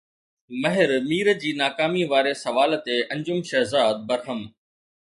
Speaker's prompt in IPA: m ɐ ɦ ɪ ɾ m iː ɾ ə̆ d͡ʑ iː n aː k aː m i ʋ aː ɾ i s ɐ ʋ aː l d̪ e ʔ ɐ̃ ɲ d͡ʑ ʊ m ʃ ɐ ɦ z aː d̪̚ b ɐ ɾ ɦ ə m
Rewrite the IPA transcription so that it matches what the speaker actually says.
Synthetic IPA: m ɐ ɦ ɪ ɾ m iː ɾ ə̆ d͡ʑ iː n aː k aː m i ʋ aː ɾ e s ɐ ʋ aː l t̪ e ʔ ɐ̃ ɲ d͡ʑ ʊ m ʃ ɐ ɦ z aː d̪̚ b ɐ ɾ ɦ ə m